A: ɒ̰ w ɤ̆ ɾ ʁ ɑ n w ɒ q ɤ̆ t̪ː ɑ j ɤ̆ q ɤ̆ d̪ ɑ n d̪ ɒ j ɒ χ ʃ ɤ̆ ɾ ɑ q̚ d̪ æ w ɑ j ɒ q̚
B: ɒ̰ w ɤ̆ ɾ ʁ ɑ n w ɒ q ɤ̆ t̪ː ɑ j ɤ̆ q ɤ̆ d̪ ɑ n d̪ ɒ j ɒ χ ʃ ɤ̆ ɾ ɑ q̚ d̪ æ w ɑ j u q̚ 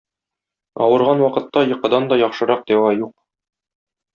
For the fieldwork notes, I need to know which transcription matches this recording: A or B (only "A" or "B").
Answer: B